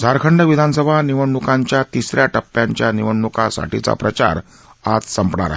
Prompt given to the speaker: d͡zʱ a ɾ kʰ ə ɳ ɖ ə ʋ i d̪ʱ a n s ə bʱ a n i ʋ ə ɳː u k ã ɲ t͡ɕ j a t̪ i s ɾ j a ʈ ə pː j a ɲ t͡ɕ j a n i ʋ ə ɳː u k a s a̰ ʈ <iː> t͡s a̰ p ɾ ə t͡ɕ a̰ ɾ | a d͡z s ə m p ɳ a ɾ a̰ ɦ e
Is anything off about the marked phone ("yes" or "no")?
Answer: yes